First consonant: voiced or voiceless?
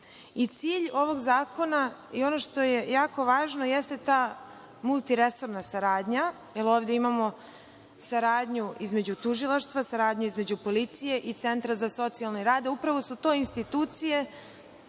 voiceless